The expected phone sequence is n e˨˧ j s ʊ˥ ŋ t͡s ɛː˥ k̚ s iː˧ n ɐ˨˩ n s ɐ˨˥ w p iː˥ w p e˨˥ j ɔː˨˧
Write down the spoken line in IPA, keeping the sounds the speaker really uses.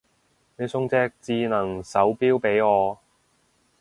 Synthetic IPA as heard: n e˨˧ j s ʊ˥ ŋ t͡s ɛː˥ k̚ t͡s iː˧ n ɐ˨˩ ŋ s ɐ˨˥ w p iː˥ w p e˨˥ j ɔː˨˧